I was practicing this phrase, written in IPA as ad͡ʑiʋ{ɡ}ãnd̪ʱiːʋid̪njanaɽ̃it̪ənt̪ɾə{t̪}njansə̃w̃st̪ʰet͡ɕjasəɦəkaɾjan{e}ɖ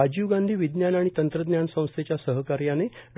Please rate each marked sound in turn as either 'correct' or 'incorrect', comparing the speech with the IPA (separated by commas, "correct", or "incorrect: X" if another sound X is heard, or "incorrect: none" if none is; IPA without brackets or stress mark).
correct, incorrect: d̪, correct